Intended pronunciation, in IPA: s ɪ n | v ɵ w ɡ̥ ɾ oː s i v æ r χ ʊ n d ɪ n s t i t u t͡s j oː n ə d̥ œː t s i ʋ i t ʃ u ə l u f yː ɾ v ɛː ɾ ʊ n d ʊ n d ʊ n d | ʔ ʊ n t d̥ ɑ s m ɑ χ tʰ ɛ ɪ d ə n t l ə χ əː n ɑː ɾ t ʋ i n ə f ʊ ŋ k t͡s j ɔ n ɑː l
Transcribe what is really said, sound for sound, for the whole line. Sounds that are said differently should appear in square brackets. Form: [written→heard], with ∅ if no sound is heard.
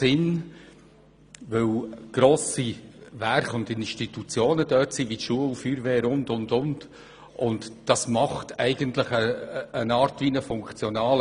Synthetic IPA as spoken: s ɪ n | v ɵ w ɡ̥ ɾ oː s i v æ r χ ʊ n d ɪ n [s→ʃ] t i t u t͡s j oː n ə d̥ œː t s i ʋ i t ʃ u ə l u f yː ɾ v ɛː ɾ ʊ n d ʊ n d ʊ n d | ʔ ʊ n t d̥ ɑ s m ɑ χ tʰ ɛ ɪ [d→ɡ] ə n t l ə χ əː n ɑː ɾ t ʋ i n ə f ʊ ŋ k t͡s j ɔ n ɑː l

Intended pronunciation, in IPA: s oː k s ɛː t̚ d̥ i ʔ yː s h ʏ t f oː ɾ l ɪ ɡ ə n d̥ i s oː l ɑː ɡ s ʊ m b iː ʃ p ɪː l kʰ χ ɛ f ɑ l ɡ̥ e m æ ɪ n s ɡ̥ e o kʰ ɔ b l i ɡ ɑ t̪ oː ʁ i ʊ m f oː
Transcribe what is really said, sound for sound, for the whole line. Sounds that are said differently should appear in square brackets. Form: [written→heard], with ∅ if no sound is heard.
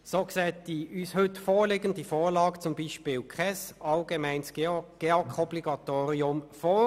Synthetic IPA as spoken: s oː k s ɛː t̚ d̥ i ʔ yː s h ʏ t f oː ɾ l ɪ ɡ ə n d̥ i [s→f] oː l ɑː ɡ [s→t͡s] ʊ m b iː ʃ p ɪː l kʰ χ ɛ [f→s] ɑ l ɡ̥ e m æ ɪ n s ɡ̥ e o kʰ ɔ b l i ɡ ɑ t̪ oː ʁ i ʊ m f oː

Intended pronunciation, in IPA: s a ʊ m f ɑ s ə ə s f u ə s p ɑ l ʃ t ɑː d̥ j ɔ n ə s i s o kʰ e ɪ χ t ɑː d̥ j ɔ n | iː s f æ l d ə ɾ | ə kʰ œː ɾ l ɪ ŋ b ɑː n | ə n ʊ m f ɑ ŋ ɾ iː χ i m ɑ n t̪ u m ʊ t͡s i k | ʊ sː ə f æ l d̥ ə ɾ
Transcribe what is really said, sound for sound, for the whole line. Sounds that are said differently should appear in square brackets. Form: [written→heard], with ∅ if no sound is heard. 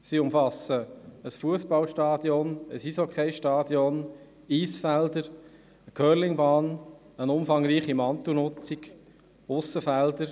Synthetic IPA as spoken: s [a→i] ʊ m f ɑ s ə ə s f u ə s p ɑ l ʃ t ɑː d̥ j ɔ n ə s i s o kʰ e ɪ [χ→ʃ] t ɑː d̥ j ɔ n | iː s f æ l d ə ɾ | ə kʰ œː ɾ l ɪ ŋ b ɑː n | ə n ʊ m f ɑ ŋ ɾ iː χ i m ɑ n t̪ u [m→n] ʊ t͡s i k | ʊ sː ə f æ l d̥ ə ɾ

